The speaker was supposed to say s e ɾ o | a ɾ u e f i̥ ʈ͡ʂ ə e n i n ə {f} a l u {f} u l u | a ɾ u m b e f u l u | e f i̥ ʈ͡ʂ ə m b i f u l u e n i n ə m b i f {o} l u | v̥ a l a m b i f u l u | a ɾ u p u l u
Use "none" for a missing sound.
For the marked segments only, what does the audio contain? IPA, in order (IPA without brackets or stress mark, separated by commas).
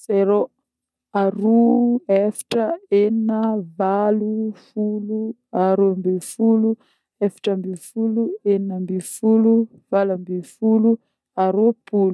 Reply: v, f, u